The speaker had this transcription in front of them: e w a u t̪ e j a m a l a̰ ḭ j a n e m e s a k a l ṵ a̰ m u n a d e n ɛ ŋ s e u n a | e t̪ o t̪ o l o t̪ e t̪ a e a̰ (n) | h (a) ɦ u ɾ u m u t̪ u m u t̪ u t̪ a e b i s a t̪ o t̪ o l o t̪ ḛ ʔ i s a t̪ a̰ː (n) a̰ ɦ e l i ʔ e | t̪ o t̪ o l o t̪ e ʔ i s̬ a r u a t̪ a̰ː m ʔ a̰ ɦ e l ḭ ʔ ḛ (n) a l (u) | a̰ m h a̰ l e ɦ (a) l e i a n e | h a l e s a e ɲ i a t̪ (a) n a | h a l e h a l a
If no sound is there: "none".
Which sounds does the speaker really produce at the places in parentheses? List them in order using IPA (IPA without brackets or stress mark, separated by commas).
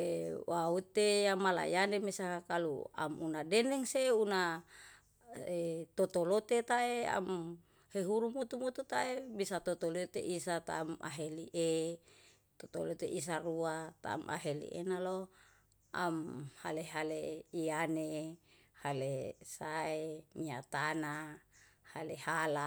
m, e, m, n, o, a, a